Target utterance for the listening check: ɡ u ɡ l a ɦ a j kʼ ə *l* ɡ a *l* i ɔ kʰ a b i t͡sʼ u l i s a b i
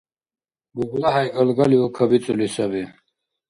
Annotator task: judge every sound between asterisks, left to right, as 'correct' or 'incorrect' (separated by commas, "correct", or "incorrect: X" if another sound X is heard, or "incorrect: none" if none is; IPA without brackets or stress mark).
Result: correct, correct